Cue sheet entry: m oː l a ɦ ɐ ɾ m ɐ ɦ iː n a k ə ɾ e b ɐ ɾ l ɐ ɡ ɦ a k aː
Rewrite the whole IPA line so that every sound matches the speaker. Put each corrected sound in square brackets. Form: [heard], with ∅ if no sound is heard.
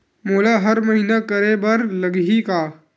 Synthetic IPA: m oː l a ɦ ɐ ɾ m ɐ ɦ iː n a k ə ɾ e b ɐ ɾ l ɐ ɡ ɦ [i] k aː